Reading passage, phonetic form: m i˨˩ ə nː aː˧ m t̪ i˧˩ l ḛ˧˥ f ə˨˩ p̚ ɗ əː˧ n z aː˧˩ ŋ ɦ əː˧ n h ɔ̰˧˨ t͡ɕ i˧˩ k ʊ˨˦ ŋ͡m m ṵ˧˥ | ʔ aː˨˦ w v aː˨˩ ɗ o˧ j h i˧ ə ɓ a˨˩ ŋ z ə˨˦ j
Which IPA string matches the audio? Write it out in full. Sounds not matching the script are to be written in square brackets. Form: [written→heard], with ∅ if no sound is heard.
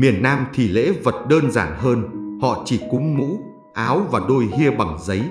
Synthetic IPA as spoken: m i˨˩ ə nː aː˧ m [t̪→t̪ʰ] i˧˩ l ḛ˧˥ [f→v] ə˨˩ [p̚→t̚] ɗ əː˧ n z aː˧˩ [ŋ→n] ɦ əː˧ n h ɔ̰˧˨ t͡ɕ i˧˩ k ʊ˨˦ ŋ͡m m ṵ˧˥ | ʔ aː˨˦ w v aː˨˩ ɗ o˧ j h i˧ ə ɓ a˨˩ ŋ z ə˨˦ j